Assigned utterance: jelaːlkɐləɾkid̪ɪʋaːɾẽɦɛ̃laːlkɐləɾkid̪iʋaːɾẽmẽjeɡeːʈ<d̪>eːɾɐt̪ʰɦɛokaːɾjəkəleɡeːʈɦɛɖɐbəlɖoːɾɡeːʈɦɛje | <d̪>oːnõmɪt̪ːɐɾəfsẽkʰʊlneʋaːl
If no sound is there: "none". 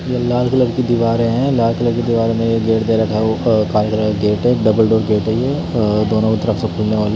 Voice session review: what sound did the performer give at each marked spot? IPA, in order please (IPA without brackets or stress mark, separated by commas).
d̪, d̪